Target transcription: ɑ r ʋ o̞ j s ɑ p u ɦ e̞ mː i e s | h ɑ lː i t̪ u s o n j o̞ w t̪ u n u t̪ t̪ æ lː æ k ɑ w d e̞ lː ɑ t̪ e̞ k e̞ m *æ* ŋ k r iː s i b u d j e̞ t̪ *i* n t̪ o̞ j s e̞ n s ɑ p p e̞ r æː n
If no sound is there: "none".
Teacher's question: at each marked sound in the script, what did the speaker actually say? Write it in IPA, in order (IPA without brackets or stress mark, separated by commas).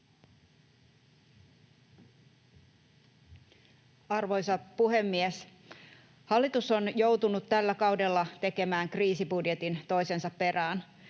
æː, i